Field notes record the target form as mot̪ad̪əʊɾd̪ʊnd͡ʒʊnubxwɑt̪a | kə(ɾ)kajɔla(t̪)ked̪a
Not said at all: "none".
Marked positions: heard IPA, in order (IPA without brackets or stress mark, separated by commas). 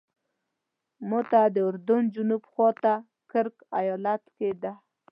ɾ, t̪